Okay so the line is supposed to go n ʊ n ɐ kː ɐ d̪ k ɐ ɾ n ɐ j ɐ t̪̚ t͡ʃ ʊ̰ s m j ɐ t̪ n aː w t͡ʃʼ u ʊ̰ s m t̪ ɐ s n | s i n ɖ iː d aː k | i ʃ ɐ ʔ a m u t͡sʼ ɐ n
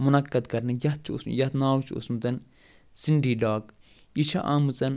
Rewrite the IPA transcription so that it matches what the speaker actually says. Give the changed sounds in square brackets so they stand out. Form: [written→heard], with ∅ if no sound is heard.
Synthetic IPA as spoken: [n→m] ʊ n ɐ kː ɐ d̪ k ɐ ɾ n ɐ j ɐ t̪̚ t͡ʃ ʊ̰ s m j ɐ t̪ n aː w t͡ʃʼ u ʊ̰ s m t̪ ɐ [s→∅] n | s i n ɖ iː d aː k | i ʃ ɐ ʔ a m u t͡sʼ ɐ n